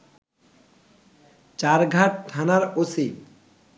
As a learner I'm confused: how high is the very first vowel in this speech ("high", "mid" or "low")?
low